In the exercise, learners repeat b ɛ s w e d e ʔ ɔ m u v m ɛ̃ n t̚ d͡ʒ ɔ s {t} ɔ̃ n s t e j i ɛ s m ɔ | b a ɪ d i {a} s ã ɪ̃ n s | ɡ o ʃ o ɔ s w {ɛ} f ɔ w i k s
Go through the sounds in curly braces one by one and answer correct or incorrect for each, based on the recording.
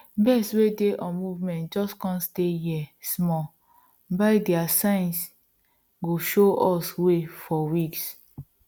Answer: incorrect, correct, incorrect

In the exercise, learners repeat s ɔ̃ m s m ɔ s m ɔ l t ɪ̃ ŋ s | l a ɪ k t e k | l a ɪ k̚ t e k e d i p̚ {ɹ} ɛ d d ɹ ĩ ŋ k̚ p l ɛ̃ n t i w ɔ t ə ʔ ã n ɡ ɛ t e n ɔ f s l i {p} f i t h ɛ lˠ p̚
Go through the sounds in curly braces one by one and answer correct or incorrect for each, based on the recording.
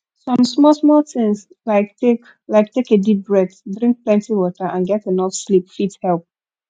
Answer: correct, correct

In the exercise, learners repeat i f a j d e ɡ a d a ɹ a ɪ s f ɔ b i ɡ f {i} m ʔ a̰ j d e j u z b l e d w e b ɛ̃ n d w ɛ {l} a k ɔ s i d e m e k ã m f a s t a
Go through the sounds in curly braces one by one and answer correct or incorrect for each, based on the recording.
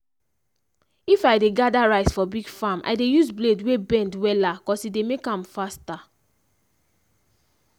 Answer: incorrect, correct

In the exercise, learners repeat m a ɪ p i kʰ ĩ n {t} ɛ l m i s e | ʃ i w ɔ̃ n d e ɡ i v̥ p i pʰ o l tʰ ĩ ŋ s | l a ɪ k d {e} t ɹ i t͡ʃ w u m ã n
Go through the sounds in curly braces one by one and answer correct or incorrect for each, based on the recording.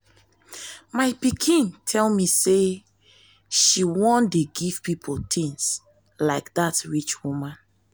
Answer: incorrect, incorrect

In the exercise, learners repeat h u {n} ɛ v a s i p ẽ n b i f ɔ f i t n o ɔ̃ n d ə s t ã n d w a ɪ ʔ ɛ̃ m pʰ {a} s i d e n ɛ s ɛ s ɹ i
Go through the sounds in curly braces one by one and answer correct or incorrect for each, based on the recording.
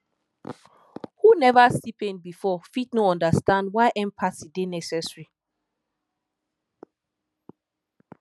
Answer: correct, correct

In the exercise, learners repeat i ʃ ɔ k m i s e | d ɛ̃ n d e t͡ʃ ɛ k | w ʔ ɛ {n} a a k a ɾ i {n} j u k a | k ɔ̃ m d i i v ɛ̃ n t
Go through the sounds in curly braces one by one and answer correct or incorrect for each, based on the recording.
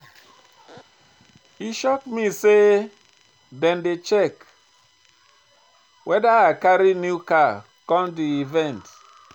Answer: incorrect, correct

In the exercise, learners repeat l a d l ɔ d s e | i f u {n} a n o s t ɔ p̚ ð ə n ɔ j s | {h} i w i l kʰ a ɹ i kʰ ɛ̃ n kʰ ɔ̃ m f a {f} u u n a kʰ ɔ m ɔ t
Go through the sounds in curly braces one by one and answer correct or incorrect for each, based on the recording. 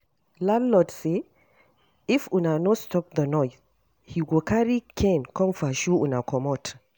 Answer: correct, correct, incorrect

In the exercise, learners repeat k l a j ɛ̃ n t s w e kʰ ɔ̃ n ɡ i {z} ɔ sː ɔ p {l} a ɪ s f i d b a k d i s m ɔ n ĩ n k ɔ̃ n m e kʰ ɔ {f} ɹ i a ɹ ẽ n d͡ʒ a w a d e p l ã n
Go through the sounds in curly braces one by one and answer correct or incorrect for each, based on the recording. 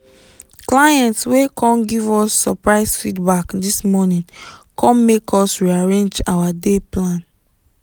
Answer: incorrect, incorrect, incorrect

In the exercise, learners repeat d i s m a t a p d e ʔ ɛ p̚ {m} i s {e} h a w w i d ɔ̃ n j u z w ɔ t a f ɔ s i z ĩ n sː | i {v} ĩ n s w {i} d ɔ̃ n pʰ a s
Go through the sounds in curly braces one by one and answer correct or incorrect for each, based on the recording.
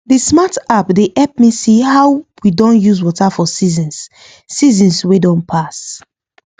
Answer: correct, incorrect, incorrect, incorrect

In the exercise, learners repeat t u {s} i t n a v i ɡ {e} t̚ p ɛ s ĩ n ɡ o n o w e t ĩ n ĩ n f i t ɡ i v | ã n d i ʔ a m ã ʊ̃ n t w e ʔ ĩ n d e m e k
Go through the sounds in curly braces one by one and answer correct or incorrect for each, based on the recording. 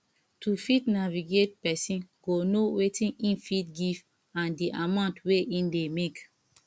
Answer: incorrect, correct

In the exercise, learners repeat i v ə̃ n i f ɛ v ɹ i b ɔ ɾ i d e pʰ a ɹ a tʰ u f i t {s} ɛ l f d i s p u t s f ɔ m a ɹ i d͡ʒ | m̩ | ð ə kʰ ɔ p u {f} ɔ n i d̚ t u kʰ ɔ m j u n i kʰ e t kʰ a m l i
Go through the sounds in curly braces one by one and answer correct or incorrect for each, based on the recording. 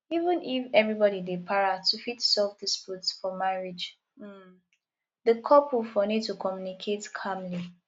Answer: correct, correct

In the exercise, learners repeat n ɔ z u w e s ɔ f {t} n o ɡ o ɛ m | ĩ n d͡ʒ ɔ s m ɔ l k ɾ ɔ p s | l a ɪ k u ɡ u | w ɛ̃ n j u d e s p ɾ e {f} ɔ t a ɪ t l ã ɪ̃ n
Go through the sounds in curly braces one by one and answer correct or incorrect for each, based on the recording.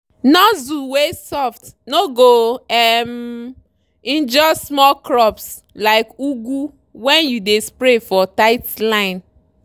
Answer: correct, correct

